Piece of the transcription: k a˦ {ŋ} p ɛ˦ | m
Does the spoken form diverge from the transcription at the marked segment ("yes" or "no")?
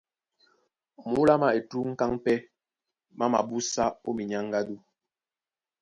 no